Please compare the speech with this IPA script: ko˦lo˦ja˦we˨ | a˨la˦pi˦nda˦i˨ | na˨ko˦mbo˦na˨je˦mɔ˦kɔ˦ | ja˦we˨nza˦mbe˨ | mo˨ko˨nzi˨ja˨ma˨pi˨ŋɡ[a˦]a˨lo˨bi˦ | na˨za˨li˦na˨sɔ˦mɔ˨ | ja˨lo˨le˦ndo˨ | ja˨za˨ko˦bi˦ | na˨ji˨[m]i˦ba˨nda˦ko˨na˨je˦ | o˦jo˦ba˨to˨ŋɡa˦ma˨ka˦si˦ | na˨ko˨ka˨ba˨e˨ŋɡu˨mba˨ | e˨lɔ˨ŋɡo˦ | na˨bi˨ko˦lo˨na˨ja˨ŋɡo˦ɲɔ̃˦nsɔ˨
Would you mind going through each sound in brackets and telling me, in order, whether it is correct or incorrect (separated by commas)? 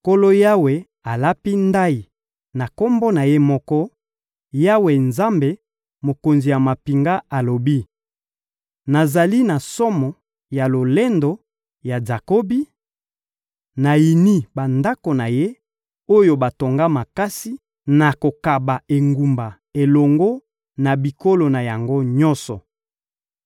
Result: correct, incorrect